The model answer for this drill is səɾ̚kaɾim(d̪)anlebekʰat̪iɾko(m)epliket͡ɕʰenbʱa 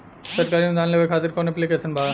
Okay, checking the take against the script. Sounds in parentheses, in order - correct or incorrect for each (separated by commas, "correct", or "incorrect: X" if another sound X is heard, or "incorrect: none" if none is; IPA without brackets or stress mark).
correct, incorrect: n